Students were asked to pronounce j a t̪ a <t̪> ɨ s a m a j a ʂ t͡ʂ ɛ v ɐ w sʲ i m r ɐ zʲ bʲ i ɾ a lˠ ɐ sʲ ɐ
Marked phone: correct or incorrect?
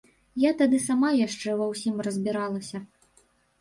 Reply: incorrect